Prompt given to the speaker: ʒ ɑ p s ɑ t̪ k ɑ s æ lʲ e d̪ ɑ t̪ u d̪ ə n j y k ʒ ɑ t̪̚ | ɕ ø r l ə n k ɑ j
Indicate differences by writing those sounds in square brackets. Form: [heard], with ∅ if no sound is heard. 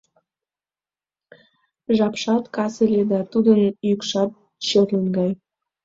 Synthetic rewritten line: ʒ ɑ p [ʃ] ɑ t̪ k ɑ s [e] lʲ e d̪ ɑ t̪ u d̪ ə n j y k [ʃ] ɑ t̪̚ | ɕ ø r l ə n [ɡ] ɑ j